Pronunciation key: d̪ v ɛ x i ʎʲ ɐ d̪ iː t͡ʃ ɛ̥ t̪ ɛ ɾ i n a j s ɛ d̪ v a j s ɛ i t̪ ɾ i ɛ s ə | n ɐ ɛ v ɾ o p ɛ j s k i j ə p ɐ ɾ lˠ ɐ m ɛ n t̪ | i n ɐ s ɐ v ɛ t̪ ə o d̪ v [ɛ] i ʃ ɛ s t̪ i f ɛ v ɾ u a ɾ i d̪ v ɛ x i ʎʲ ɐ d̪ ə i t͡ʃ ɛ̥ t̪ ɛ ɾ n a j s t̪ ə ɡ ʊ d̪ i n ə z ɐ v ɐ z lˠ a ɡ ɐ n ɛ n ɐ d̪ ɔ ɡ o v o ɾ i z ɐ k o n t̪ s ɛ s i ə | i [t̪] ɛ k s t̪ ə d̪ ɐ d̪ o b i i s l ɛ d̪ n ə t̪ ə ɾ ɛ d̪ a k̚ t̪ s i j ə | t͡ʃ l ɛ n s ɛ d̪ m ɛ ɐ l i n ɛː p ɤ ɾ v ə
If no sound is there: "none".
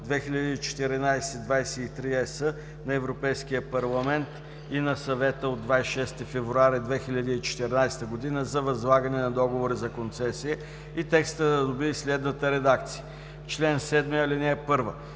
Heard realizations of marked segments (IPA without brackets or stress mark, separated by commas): a, t̪